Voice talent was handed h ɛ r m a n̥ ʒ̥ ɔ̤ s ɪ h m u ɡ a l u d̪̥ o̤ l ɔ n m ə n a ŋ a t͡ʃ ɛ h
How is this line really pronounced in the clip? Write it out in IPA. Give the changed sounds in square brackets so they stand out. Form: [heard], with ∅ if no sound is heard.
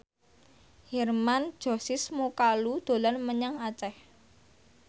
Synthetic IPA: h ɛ r m a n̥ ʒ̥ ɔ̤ s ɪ [s] m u [k] a l u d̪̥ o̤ l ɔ n m ə [ɲ] a ŋ a t͡ʃ ɛ h